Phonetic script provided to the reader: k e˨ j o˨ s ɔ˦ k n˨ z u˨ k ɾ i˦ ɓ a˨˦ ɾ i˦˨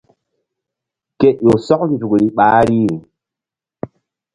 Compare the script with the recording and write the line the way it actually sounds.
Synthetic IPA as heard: k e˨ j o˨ s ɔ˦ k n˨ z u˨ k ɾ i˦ ɓ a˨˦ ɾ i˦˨